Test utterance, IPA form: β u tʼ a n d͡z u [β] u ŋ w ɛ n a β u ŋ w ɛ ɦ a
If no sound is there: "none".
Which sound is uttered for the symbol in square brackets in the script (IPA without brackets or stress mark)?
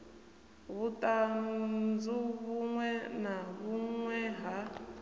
β